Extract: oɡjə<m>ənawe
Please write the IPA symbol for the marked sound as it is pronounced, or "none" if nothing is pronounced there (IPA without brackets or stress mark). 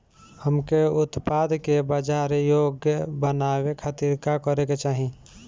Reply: b